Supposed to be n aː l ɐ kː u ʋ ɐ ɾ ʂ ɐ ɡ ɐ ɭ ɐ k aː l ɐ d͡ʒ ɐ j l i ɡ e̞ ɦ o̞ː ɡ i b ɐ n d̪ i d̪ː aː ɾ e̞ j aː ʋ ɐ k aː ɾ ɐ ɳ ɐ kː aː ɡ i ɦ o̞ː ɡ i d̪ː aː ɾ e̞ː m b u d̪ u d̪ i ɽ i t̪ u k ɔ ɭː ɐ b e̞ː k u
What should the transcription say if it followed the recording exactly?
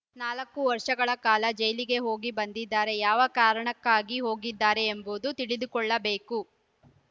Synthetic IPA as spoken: n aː l ɐ kː u ʋ ɐ ɾ ʂ ɐ ɡ ɐ ɭ ɐ k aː l ɐ d͡ʒ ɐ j l i ɡ e̞ ɦ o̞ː ɡ i b ɐ n d̪ i d̪ː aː ɾ e̞ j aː ʋ ɐ k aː ɾ ɐ ɳ ɐ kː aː ɡ i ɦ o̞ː ɡ i d̪ː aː ɾ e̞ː m b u d̪ u t̪ i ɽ i d̪ u k ɔ ɭː ɐ b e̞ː k u